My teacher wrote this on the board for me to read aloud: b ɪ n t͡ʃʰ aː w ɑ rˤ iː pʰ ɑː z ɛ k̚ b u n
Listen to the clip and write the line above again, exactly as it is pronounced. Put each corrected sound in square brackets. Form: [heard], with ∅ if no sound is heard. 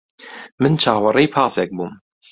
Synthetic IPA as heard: [m] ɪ n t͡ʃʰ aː w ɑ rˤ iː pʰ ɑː [s] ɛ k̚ b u [m]